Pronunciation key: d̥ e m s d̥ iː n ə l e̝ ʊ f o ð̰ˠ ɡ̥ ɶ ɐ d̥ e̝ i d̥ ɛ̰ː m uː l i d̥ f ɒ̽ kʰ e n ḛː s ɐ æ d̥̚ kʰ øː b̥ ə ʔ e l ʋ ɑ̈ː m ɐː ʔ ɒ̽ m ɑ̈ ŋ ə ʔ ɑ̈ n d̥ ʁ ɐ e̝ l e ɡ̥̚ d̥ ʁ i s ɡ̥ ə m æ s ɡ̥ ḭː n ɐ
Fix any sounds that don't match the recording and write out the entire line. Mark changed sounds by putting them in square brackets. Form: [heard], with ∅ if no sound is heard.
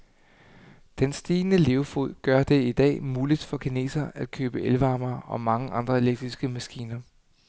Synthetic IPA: d̥ e [n] s d̥ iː n ə l e̝ ʊ f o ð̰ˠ ɡ̥ ɶ ɐ d̥ e̝ i d̥ ɛ̰ː m uː l i d̥ f ɒ̽ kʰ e n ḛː s ɐ æ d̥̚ kʰ øː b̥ ə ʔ e l ʋ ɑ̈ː m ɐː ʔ ɒ̽ m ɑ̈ ŋ ə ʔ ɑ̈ n d̥ ʁ ɐ e̝ l e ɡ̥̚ d̥ ʁ i s ɡ̥ ə m æ s ɡ̥ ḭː n ɐ